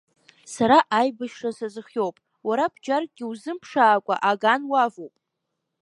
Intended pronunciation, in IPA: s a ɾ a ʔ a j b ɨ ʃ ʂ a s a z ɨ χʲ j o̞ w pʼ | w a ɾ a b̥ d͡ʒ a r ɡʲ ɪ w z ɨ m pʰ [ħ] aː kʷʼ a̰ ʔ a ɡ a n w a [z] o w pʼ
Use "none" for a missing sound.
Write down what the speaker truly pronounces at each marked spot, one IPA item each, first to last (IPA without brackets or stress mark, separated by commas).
ʂ, v